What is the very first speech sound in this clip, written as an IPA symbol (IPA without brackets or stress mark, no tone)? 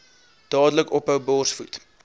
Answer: d̥